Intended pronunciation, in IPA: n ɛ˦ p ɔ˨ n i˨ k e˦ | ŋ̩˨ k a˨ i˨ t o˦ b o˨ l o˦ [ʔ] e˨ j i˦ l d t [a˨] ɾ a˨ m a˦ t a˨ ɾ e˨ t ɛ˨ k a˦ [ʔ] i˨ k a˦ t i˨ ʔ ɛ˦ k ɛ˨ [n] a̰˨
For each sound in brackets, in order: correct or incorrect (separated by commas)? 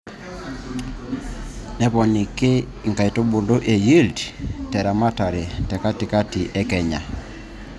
correct, incorrect, incorrect, incorrect